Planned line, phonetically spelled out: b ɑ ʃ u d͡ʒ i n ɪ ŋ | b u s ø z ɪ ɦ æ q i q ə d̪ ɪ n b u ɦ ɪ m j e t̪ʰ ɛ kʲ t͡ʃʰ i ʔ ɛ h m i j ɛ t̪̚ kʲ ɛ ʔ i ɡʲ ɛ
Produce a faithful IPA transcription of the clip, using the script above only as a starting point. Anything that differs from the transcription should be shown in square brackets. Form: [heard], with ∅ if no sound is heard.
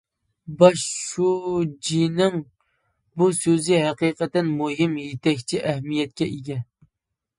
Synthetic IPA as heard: b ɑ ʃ u d͡ʒ i n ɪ ŋ | b u s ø z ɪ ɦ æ q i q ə [t̪] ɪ n [m] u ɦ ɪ m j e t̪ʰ ɛ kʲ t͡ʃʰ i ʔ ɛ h m i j ɛ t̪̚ kʲ ɛ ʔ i ɡʲ ɛ